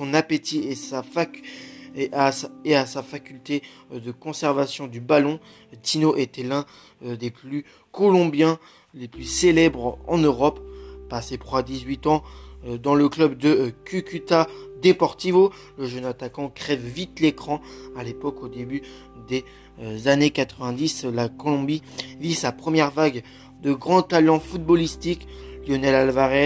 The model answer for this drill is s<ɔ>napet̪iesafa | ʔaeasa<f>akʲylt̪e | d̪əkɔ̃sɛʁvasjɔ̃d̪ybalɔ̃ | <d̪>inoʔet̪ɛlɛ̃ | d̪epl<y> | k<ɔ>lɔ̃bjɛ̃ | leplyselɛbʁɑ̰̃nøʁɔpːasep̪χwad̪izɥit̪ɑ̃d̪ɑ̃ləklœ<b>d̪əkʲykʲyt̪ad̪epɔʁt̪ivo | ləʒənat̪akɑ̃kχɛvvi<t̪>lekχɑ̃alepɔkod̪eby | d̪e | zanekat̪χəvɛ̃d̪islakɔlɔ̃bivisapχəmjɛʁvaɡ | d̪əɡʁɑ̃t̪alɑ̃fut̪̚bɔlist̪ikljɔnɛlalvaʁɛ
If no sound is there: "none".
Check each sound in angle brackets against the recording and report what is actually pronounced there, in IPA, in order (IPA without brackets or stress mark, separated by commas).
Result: ɔ̃, f, t̪, y, ɔ, b, t̪